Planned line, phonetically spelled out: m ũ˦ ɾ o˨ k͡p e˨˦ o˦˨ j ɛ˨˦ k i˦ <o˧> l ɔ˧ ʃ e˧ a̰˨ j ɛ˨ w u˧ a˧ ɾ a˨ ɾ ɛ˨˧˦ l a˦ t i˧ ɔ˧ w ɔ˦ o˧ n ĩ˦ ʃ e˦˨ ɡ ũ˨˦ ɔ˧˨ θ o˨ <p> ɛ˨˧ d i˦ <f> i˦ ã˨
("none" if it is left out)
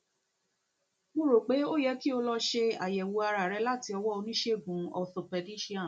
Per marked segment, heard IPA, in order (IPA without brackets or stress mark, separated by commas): o˧, p, ʃ